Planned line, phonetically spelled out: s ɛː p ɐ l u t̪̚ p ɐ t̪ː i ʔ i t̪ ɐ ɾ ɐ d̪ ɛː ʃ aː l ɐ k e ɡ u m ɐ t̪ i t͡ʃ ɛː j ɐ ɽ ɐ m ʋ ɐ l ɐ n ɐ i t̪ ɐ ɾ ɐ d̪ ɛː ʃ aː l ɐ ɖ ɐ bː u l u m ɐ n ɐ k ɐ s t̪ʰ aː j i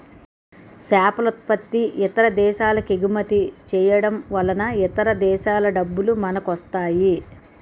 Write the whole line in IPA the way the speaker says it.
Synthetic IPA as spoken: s aː p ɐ l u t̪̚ p ɐ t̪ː i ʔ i t̪ ɐ ɾ ɐ d̪ ɛː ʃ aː l ɐ k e ɡ u m ɐ t̪ i t͡ʃ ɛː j ɐ ɽ ɐ m ʋ ɐ l ɐ n ɐ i t̪ ɐ ɾ ɐ d̪ ɛː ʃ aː l ɐ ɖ ɐ bː u l u m ɐ n ɐ k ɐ s t̪ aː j i

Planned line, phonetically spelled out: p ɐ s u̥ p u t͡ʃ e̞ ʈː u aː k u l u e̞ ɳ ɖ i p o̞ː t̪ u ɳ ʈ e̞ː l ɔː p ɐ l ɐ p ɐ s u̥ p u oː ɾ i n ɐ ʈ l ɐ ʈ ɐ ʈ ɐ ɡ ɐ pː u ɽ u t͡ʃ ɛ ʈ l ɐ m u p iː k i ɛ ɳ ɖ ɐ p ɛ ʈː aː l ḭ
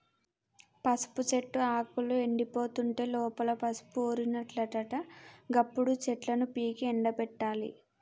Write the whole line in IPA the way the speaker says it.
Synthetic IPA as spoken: p ɐ s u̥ p u t͡ʃ e̞ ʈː u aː k u l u e̞ ɳ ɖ i p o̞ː t̪ u ɳ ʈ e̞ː l ɔː p ɐ l ɐ p ɐ s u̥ p u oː ɾ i n ɐ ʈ l ɐ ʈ ɐ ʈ ɐ ɡ ɐ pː u ɽ u t͡ʃ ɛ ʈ l ɐ n u p iː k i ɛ ɳ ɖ ɐ p ɛ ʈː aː l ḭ

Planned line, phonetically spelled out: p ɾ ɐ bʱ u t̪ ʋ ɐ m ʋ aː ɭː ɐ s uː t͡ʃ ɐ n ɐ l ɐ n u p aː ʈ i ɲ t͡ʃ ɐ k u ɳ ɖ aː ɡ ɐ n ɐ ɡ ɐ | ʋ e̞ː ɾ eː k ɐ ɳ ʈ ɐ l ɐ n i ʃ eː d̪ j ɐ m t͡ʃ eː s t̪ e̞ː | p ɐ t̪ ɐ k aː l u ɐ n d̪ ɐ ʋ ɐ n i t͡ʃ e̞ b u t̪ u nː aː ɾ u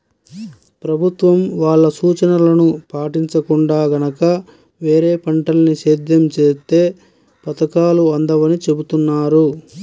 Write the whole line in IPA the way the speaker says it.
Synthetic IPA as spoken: p ɾ ɐ bʱ u t̪ ʋ ɐ m ʋ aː ɭː ɐ s uː t͡ʃ ɐ n ɐ l ɐ n u p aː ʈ i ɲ t͡ʃ ɐ k u ɳ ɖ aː ɡ ɐ n ɐ k ɐ | ʋ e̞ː ɾ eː p ɐ ɳ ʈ ɐ l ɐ n i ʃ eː d̪ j ɐ m t͡ʃ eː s t̪ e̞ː | p ɐ t̪ ɐ k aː l u ɐ n d̪ ɐ ʋ ɐ n i t͡ʃ e̞ b u t̪ u nː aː ɾ u

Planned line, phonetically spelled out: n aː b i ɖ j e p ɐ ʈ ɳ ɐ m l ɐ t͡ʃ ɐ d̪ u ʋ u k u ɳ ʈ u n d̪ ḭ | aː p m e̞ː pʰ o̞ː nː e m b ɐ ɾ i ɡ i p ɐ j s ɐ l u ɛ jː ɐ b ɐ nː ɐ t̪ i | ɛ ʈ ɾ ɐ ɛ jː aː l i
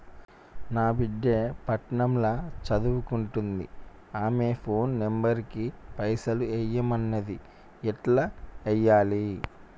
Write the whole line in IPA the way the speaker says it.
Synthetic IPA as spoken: n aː b i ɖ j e p ɐ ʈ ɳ ɐ m l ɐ t͡ʃ ɐ d̪ u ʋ u k u ɳ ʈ u n d̪ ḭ | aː m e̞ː pʰ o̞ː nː e m b ɐ ɾ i k i p ɐ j s ɐ l u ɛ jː ɐ m ɐ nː ɐ d̪ i | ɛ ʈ l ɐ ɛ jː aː l i

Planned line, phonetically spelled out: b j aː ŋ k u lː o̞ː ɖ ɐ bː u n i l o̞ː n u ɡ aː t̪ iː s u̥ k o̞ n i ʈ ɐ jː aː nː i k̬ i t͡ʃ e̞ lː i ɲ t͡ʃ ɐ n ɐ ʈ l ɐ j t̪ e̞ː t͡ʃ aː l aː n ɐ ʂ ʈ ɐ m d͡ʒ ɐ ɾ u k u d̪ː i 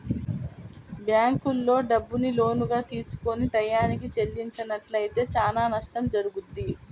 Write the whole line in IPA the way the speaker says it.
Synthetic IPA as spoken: b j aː ŋ k u lː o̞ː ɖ ɐ bː u n i l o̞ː n u ɡ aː t̪ iː s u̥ k o̞ n i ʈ ɐ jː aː n i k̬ i t͡ʃ e̞ lː i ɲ t͡ʃ ɐ n ɐ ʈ l ɐ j t̪ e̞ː t͡ʃ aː l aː n ɐ ʂ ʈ ɐ m d͡ʒ ɐ ɾ u ɡ u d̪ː i

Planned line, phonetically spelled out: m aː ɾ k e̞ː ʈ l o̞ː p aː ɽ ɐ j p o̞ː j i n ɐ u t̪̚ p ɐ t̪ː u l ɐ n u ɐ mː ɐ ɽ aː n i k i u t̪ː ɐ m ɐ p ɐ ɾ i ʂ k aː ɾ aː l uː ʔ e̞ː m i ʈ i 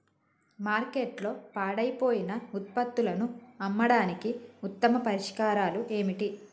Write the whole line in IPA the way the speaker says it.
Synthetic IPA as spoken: m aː ɾ k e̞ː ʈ l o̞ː p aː ɽ ɐ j p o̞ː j i n ɐ u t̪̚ p ɐ t̪ː u l ɐ n u ɐ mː ɐ ɽ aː n i k i u t̪ː ɐ m ɐ p ɐ ɾ i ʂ k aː ɾ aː l u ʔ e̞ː m i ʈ i

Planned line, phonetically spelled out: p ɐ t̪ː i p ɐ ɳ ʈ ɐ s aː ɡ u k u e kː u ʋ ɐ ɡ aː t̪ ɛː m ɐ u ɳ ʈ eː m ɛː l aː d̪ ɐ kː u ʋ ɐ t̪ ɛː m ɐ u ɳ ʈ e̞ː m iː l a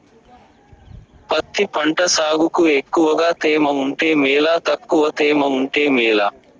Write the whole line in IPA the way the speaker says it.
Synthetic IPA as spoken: p ɐ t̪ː i p ɐ ɳ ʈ ɐ s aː ɡ u k u e kː u ʋ ɐ ɡ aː t̪ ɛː m ɐ u ɳ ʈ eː m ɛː l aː t̪ ɐ kː u ʋ ɐ t̪ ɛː m ɐ u ɳ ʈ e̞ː m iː l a

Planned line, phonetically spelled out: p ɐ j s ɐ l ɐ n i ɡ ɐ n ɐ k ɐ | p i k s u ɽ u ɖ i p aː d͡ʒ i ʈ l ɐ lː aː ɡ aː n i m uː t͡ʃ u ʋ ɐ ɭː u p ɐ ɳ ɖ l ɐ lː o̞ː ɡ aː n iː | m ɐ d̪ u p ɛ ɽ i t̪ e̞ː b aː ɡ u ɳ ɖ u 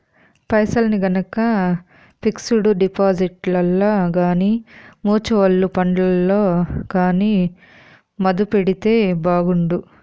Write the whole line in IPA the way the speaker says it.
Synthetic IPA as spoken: p ɐ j s ɐ l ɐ n i ɡ ɐ n ɐ k ɐ | p i k s u ɽ u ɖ i p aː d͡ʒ i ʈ l ɐ lː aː ɡ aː n i m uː t͡ʃ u ʋ ɐ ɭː u p ɐ ɳ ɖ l ɐ lː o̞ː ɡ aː n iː | m ɐ d̪ u p e ɽ i t̪ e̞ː b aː ɡ u ɳ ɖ u

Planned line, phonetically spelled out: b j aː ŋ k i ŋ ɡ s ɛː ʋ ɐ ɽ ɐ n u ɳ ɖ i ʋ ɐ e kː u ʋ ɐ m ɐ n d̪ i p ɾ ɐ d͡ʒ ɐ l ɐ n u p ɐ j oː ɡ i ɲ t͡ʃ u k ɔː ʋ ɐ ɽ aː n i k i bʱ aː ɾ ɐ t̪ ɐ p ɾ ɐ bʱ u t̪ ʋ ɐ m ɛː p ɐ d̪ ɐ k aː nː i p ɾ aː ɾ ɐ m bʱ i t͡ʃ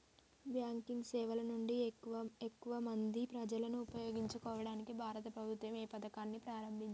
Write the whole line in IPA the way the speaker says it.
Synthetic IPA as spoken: b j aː ŋ k i ŋ ɡ s ɛː ʋ ɐ l ɐ n u ɳ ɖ i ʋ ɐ e kː u ʋ ɐ m ɐ n d̪ i p ɾ ɐ d͡ʒ ɐ l ɐ n uː p ɐ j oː ɡ i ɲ t͡ʃ u k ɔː ʋ ɐ ɽ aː n i k i bʱ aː ɾ ɐ t̪ ɐ p ɾ ɐ bʱ u t̪ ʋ ɐ m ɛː p ɐ d̪ ɐ k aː nː i p ɾ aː ɾ ɐ m bʱ i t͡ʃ

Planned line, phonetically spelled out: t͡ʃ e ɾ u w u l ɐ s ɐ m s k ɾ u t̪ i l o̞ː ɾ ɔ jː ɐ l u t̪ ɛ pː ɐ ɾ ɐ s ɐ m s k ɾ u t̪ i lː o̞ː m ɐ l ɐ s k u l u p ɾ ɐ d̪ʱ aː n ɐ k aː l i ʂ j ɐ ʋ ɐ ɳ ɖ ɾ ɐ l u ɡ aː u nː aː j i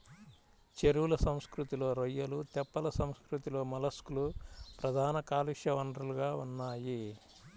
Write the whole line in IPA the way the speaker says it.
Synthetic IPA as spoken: t͡ʃ e ɾ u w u l ɐ s ɐ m s k ɾ u t̪ i l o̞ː ɾ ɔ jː ɐ l u t̪ ɛ pː ɐ l ɐ s ɐ m s k ɾ u t̪ i l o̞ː m ɐ l ɐ s k u l u p ɾ ɐ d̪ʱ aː n ɐ k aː l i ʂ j ɐ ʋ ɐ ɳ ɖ ɾ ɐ l u ɡ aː u nː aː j i

